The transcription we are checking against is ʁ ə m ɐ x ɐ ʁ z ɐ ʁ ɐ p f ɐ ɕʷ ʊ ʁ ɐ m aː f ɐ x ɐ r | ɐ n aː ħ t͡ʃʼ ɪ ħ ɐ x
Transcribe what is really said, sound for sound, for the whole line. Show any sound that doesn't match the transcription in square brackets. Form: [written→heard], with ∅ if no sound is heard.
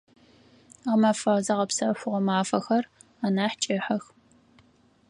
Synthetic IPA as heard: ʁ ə m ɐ [x→f] ɐ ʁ z ɐ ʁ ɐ p [f→s] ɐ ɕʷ ʊ ʁ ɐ m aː f ɐ x ɐ r | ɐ n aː ħ t͡ʃʼ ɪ ħ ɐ x

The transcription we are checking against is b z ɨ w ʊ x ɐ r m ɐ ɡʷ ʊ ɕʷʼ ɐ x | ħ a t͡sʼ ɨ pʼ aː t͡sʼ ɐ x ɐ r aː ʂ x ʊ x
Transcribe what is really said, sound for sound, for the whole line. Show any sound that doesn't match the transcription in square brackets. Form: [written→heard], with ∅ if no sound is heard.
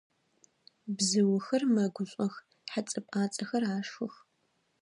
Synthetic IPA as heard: b z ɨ w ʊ x ɐ r m ɐ ɡʷ ʊ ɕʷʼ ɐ x | ħ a t͡sʼ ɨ pʼ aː t͡sʼ ɐ x ɐ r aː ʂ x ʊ x

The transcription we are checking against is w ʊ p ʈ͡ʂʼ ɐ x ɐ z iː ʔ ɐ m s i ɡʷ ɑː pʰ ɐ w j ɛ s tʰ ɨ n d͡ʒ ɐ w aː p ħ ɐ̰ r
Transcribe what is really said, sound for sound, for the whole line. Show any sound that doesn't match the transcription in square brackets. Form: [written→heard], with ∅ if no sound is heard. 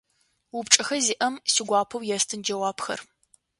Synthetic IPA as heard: w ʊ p ʈ͡ʂʼ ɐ x ɐ z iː ʔ ɐ m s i ɡʷ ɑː pʰ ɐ w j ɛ s tʰ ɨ n d͡ʒ ɐ w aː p [ħ→x] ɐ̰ r

